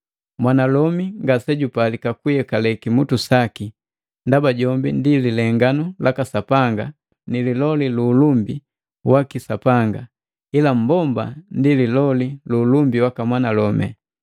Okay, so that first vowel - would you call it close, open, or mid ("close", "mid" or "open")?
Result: open